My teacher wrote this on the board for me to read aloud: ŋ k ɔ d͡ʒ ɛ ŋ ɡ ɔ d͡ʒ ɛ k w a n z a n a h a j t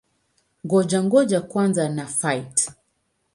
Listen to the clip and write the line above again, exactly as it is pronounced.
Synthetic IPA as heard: ŋ ɡ ɔ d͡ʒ a ŋ ɡ ɔ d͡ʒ a k w a n z a n a f a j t